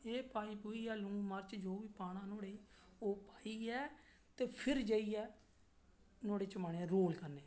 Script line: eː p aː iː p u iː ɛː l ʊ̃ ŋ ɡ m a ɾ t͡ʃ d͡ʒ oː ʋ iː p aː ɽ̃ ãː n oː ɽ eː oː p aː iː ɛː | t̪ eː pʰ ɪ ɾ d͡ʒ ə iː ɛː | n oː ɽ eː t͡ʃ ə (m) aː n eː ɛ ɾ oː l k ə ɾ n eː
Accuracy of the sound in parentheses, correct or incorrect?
correct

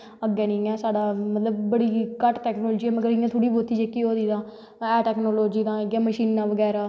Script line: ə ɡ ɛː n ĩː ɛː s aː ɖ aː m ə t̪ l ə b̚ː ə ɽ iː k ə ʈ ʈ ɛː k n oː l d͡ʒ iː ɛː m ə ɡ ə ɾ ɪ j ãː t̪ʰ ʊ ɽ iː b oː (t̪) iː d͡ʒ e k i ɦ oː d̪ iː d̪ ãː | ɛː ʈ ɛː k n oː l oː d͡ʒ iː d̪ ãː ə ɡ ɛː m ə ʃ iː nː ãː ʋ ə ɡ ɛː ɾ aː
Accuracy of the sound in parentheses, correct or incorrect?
correct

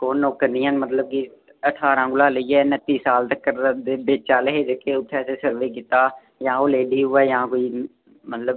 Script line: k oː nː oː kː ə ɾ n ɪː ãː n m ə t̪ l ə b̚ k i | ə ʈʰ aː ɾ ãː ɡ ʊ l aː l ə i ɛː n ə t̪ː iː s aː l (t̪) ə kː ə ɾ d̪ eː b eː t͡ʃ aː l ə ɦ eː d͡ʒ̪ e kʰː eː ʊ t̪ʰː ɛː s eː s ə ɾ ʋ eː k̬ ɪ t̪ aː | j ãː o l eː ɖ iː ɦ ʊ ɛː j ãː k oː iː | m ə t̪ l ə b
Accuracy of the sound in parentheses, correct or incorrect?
correct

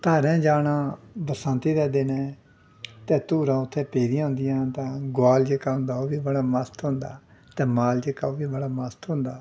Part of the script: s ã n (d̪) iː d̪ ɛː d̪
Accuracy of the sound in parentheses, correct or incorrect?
incorrect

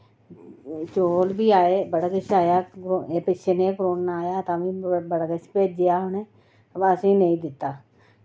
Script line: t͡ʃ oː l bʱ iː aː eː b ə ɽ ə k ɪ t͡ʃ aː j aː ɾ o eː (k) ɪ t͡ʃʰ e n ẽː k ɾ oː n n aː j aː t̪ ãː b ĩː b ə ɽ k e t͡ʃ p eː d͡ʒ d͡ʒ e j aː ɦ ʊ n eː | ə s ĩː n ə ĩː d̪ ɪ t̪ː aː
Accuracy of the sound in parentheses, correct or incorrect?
incorrect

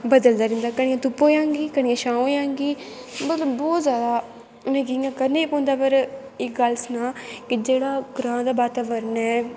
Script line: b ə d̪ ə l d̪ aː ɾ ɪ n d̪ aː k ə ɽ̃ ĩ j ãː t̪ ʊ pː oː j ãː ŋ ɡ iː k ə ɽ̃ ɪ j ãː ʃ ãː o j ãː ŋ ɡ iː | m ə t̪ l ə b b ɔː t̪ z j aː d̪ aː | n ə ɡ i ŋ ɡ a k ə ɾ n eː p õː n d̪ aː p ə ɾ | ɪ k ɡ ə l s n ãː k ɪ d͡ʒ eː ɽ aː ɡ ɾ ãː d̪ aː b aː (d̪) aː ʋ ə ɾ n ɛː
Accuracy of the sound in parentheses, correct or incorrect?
incorrect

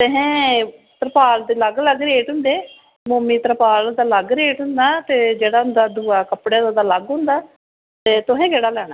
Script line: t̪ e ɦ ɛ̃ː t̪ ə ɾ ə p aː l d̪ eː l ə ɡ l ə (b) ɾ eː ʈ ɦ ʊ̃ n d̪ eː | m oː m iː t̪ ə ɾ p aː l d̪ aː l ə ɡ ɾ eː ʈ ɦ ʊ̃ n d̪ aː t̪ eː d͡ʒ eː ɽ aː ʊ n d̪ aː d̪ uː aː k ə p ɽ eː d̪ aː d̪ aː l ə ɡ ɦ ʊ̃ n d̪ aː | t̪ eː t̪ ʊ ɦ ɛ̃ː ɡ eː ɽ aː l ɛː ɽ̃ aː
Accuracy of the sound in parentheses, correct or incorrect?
incorrect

